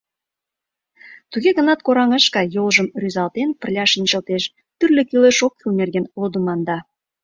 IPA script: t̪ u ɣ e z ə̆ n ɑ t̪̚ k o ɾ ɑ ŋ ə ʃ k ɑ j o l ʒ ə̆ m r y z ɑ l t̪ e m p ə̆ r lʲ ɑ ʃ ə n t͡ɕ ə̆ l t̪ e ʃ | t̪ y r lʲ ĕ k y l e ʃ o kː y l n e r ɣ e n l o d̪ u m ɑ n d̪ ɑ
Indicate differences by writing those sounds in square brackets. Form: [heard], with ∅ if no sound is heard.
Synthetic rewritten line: t̪ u ɣ e [ɣ] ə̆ n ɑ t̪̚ k o ɾ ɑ ŋ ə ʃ k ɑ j o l ʒ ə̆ m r y z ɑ l t̪ e [n] p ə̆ r lʲ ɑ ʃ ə n t͡ɕ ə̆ l t̪ e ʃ | t̪ y r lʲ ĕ k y l e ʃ o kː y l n e r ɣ e n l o d̪ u m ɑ n d̪ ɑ